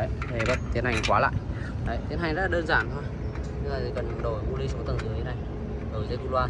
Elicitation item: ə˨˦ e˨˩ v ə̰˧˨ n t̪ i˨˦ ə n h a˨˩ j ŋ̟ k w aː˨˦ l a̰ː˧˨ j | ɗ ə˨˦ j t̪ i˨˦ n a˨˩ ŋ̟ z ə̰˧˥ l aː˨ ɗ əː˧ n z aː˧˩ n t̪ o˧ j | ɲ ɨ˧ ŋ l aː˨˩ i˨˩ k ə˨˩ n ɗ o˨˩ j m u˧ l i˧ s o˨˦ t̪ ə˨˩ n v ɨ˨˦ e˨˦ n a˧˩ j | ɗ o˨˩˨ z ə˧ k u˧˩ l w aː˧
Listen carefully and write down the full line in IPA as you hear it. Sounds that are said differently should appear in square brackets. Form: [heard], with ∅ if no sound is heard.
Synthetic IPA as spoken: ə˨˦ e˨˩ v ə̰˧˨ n t̪ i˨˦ ə n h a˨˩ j ŋ̟ k w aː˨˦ l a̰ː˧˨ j | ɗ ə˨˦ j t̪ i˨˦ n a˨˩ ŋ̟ z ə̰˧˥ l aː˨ ɗ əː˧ n z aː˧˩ n [t̪ʰ] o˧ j | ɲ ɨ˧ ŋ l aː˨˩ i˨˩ k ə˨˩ n ɗ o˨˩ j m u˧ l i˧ s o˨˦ t̪ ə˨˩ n [z] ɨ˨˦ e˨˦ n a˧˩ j | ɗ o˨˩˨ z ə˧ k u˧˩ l w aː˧